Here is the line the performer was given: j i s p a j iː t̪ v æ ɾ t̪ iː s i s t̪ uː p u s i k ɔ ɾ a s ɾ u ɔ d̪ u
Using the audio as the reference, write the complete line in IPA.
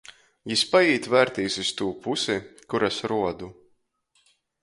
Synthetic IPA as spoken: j i s p a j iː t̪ v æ ɾ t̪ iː s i s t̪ uː p u s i k u ɾ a s ɾ u ɔ d̪ u